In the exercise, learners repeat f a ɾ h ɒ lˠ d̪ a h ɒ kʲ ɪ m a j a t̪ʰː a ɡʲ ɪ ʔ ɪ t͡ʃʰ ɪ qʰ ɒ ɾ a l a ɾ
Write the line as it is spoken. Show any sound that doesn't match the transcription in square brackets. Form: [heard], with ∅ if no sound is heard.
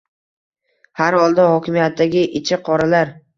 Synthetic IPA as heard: [h] a ɾ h ɒ lˠ d̪ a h ɒ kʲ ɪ m [i] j a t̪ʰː a ɡʲ ɪ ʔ ɪ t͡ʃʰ ɪ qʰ ɒ ɾ a l a ɾ

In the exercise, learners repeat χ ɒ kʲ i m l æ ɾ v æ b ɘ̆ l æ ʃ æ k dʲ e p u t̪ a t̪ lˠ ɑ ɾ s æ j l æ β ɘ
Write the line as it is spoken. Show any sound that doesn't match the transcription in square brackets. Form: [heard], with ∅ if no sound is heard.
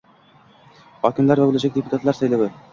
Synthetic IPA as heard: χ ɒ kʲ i m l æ ɾ v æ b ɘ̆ l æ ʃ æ k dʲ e p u t̪ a t̪ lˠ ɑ ɾ s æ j l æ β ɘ

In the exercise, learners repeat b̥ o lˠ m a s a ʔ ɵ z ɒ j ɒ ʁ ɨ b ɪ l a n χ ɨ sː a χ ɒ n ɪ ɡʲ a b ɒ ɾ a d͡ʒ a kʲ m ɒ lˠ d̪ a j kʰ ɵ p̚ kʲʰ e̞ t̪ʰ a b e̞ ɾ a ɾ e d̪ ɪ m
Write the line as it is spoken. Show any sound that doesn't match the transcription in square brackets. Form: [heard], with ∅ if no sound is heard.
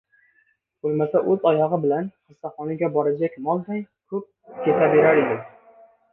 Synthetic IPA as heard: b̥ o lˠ m a s a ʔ ɵ z ɒ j ɒ ʁ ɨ b ɪ l a n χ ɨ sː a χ ɒ n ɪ ɡʲ a b ɒ ɾ a d͡ʒ a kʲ m ɒ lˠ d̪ a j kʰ ɵ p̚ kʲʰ e̞ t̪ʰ a b e̞ ɾ a ɾ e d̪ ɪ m

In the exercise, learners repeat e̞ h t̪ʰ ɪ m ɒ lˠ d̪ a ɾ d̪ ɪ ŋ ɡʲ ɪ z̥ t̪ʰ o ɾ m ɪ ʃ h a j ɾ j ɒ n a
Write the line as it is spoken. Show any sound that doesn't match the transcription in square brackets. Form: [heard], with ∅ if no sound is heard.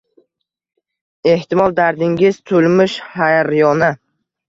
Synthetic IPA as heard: e̞ h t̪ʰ ɪ m ɒ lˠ d̪ a ɾ d̪ ɪ ŋ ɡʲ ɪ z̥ t̪ʰ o [l] m ɪ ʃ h a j ɾ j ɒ n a

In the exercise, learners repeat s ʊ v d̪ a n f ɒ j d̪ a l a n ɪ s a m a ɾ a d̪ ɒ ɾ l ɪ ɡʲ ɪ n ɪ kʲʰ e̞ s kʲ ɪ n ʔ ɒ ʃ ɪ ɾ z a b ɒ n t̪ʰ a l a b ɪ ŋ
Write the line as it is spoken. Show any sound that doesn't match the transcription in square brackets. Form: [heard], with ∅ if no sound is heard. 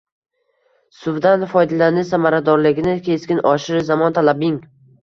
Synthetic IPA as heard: s ʊ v d̪ a n f ɒ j d̪ a l a n ɪ s a m a ɾ a d̪ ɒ ɾ l ɪ ɡʲ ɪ n ɪ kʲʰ e̞ s kʲ ɪ n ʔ ɒ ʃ ɪ ɾ z a [m] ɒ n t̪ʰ a l a b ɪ ŋ

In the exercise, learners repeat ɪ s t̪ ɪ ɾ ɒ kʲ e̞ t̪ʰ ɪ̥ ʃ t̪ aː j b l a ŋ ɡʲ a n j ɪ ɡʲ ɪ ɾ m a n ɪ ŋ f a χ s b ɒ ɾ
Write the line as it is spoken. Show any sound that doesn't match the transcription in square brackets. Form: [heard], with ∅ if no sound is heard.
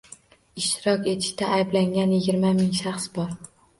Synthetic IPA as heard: ɪ [ʃ] t̪ ɪ ɾ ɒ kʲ e̞ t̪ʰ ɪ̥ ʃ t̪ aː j b l a ŋ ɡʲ a n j ɪ ɡʲ ɪ ɾ m a [m] ɪ ŋ [ʃ] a χ s b ɒ ɾ

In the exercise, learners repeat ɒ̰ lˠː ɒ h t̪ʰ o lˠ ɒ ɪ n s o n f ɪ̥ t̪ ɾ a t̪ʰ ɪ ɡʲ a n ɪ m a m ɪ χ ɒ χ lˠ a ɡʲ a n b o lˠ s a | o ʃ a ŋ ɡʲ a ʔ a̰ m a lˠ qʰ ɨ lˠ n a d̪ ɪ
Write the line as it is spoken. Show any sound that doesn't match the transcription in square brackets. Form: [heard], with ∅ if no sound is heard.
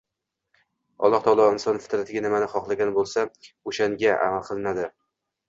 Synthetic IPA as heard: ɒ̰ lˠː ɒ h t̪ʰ [ɒ] lˠ ɒ ɪ n s [ɒ] n f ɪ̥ t̪ ɾ a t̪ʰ ɪ ɡʲ a n ɪ m a [n] ɪ χ ɒ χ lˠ a ɡʲ a n b o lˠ s a | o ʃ a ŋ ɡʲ a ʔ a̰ m a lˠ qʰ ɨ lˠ n a d̪ ɪ

